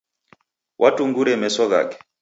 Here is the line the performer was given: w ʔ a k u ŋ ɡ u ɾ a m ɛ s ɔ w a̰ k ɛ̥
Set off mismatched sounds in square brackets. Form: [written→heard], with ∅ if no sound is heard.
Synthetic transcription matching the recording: w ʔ a [k→t] u ŋ ɡ u ɾ [a→ɛ] m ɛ s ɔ [w→ɣ] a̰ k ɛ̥